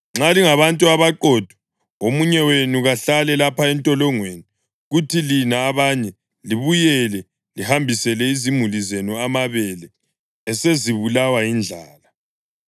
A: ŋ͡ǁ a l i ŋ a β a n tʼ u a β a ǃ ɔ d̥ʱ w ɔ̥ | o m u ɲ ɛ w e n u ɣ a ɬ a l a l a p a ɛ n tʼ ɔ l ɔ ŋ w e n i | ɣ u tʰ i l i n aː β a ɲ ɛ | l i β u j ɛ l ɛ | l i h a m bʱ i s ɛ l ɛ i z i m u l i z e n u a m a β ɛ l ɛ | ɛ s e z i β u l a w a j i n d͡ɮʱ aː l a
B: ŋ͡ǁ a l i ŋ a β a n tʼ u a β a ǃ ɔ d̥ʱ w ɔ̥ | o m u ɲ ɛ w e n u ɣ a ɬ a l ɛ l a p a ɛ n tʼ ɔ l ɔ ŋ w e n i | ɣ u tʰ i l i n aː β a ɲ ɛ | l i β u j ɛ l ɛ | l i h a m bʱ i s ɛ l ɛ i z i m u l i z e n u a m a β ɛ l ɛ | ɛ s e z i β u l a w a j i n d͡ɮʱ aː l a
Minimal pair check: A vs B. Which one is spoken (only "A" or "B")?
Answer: B